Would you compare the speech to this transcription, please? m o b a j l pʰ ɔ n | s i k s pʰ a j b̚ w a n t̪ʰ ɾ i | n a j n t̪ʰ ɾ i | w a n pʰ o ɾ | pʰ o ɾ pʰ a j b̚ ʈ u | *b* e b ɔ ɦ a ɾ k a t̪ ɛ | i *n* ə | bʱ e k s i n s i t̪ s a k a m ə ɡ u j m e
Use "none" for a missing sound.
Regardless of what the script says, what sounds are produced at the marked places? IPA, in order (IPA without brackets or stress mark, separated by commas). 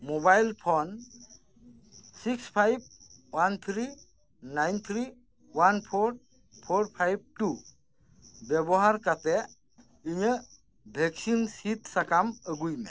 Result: b, ɲ